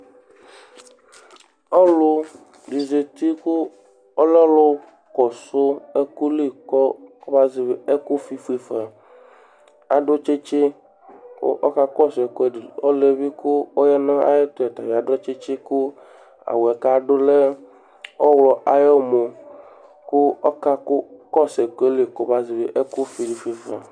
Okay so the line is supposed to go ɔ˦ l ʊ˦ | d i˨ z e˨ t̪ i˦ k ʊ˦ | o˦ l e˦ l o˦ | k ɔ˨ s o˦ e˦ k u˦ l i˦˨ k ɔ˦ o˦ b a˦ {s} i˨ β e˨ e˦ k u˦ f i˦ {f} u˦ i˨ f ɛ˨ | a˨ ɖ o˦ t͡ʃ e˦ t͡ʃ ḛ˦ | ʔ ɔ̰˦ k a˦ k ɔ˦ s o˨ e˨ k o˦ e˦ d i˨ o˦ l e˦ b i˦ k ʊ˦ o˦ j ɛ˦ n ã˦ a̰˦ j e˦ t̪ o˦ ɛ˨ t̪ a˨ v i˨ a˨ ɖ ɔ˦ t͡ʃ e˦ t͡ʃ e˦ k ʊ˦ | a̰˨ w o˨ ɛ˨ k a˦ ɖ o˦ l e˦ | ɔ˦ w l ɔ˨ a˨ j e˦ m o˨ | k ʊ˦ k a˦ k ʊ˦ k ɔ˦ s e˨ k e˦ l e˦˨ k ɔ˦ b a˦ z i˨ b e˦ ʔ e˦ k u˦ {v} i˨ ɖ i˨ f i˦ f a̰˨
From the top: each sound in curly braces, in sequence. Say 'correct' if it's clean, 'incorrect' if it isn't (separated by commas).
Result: incorrect, correct, incorrect